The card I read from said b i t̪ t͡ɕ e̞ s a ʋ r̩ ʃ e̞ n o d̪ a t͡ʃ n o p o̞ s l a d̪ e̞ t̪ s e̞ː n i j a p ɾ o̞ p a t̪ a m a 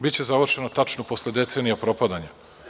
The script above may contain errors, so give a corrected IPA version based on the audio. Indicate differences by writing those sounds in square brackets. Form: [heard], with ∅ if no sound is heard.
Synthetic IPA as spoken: b i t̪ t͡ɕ e̞ [z] a ʋ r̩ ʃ e̞ n o [t̪] a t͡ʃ n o p o̞ s l [e] d̪ e̞ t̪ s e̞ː n i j a p ɾ o̞ p a [d̪] a [ɲ] a